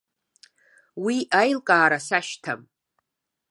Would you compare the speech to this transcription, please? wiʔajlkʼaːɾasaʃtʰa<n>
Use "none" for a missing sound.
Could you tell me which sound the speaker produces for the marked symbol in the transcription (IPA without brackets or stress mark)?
m